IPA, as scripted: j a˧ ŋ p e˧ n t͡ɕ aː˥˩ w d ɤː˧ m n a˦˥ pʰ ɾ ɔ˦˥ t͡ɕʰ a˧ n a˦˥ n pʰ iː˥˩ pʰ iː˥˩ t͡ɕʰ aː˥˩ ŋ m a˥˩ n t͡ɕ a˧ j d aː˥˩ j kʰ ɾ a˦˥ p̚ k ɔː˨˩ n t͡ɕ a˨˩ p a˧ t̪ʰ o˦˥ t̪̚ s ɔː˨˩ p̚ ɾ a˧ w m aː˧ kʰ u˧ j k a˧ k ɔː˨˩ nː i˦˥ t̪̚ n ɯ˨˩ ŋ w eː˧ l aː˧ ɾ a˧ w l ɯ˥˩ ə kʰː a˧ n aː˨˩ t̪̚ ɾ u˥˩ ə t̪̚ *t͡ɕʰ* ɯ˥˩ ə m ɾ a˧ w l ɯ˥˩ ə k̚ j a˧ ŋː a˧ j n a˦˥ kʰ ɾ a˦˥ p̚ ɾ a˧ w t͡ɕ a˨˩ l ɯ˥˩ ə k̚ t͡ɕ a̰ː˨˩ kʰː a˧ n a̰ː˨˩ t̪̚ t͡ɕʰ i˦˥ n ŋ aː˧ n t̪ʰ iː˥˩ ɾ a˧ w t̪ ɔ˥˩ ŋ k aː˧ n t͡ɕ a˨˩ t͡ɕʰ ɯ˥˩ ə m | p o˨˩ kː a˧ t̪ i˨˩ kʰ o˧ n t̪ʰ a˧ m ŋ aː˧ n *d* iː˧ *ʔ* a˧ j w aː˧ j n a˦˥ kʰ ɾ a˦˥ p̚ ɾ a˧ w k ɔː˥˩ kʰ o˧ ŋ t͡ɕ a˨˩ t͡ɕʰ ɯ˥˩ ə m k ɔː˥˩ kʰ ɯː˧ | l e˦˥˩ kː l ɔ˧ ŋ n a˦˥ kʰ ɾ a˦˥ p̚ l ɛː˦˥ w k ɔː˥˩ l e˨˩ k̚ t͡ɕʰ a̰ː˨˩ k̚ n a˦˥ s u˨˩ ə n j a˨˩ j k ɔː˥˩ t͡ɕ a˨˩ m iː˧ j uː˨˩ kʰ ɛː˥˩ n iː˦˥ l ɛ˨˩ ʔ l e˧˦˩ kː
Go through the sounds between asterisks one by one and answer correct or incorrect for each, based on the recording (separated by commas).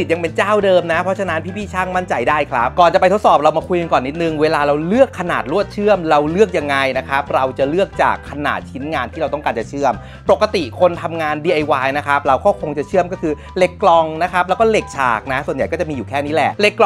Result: correct, correct, correct